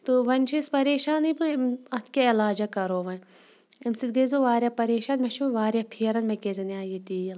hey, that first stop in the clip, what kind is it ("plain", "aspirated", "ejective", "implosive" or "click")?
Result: plain